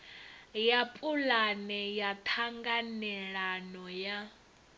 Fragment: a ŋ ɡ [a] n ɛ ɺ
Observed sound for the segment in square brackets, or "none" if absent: a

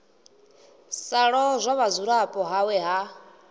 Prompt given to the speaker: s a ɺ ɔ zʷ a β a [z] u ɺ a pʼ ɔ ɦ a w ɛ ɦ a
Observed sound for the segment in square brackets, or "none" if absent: z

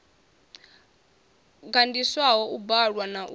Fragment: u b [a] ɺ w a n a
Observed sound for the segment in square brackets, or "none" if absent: a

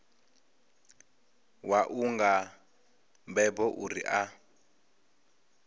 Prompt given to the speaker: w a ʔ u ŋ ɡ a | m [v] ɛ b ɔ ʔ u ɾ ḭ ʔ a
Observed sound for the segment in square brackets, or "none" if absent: b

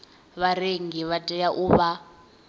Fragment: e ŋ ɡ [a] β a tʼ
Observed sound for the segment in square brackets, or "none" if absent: i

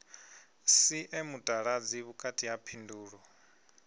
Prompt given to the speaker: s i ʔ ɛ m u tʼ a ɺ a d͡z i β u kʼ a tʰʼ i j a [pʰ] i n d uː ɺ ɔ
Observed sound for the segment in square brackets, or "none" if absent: pʰ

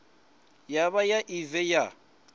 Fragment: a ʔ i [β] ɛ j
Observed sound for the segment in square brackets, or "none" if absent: v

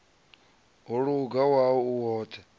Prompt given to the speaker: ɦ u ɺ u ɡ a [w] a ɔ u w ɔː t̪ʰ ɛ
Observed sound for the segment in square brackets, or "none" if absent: w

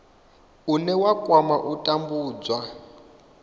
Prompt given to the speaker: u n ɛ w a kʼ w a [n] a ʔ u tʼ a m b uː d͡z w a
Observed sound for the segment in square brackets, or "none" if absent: m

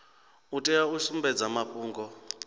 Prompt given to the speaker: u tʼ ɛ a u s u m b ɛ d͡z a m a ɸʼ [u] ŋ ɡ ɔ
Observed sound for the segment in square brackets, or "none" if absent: uː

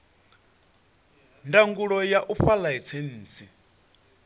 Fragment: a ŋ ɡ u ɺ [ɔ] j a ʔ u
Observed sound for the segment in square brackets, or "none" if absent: ɔ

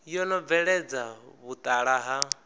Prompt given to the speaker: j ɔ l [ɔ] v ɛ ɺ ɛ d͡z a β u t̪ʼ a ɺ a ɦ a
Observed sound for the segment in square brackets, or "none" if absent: ɔ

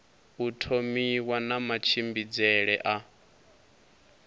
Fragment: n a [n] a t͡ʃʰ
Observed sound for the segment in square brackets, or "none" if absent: m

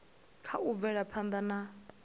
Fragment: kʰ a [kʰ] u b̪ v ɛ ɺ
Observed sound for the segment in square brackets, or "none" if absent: none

